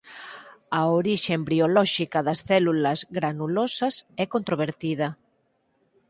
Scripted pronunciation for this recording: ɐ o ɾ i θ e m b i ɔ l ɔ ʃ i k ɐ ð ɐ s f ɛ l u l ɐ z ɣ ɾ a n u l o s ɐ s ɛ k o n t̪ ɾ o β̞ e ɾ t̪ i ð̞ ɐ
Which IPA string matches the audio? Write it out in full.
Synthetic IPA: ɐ o ɾ i ʃ e m b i o l ɔ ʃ i k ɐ ð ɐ s θ ɛ l u l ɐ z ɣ ɾ a n u l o s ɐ s ɛ k o n t̪ ɾ o β̞ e ɾ t̪ i ð̞ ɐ